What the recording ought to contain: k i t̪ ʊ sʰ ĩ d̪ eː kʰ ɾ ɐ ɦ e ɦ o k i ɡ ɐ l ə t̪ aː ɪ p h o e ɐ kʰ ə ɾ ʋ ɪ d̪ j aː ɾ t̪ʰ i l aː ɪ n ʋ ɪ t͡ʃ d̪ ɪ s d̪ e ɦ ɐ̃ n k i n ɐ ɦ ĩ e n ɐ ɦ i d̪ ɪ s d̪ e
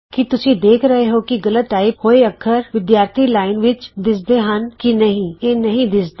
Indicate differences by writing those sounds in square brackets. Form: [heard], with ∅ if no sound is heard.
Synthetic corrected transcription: k i t̪ ʊ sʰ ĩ d̪ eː kʰ ɾ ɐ ɦ e ɦ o k i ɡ ɐ l ə t̪ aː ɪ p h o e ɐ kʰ ə ɾ ʋ ɪ d̪ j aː ɾ t̪ʰ i l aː ɪ n ʋ ɪ t͡ʃ d̪ ɪ s d̪ e ɦ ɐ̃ n k i n ɐ ɦ ĩ e n ɐ ɦ [ĩ] d̪ ɪ s d̪ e